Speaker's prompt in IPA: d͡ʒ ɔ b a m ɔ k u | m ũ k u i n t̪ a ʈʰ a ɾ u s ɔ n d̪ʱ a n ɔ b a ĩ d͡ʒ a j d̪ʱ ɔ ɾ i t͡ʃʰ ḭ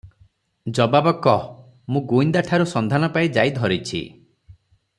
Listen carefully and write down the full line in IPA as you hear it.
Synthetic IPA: d͡ʒ ɔ b a b ɔ k ɔ | m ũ ɡ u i n d̪ a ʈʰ a ɾ u s ɔ n d̪ʱ a n ɔ p a i d͡ʒ a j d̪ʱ ɔ ɾ i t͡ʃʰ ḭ